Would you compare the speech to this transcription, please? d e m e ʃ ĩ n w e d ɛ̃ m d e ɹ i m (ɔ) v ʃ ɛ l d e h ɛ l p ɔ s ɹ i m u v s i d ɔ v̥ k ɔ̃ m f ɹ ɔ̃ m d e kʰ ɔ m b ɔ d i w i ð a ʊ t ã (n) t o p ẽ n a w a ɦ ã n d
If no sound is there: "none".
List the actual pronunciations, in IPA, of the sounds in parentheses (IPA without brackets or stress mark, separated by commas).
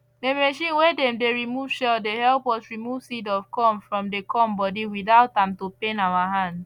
u, m